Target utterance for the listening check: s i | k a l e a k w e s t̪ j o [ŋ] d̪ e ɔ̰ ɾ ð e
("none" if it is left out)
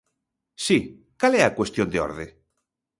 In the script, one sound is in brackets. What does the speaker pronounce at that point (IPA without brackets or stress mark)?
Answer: n